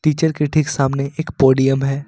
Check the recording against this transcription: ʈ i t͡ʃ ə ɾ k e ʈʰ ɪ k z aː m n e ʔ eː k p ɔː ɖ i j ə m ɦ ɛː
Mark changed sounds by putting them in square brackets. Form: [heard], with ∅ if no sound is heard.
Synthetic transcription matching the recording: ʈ [iː] t͡ʃ ə ɾ k e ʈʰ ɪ k [s] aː m n e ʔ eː k p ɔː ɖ i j ə m ɦ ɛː